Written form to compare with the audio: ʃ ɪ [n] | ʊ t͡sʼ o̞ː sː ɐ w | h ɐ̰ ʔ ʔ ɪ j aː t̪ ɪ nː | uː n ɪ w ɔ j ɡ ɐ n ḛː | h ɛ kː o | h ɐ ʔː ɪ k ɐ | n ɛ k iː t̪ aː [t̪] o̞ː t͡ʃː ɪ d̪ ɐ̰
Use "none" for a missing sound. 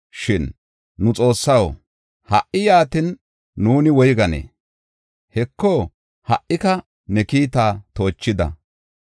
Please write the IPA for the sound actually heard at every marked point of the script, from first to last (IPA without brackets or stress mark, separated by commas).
nː, t̪